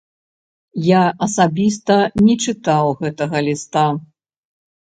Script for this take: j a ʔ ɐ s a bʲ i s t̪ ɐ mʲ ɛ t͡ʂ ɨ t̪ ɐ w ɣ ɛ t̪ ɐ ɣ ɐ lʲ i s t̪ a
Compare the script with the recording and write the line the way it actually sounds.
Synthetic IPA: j a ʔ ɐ s a bʲ i s t̪ ɐ nʲ ɛ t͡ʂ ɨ t̪ a w ɣ ɛ t̪ ɐ ɣ ɐ lʲ i s t̪ a